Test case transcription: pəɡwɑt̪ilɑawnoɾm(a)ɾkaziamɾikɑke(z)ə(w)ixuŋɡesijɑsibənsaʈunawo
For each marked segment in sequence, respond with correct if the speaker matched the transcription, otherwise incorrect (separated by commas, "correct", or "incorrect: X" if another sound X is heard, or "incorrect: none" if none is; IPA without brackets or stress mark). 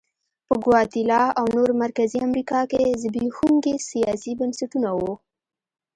correct, correct, incorrect: b